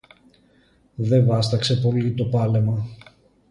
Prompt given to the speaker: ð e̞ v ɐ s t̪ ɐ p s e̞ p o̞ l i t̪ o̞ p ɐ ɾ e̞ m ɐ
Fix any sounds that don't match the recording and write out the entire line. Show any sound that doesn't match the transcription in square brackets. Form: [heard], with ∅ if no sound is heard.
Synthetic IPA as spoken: ð e̞ v ɐ s t̪ ɐ [k] s e̞ p o̞ l i t̪ o̞ p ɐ [l] e̞ m ɐ